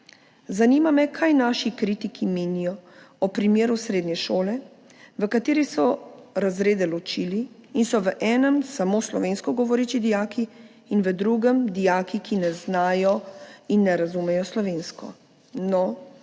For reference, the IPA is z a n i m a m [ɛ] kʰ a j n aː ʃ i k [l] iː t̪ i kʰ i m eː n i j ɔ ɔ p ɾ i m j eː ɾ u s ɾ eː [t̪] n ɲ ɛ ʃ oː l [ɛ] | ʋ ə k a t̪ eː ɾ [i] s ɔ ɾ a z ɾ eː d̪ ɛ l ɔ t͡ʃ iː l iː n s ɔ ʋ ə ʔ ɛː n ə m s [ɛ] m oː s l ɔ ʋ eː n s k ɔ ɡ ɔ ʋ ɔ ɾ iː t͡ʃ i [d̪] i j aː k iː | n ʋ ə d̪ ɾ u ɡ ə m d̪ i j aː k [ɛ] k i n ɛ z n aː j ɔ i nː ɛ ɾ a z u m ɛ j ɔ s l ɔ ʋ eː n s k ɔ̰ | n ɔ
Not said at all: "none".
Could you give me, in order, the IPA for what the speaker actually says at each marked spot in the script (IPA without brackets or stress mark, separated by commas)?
ɛ, ɾ, d̪, ɛ, i, a, d̪, i